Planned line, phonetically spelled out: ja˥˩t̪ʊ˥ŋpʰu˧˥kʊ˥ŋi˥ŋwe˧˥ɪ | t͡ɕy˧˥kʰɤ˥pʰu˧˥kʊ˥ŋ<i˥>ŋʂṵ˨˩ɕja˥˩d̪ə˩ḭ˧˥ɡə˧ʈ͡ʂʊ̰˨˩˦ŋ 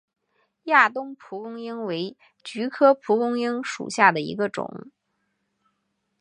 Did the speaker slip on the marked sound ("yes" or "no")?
no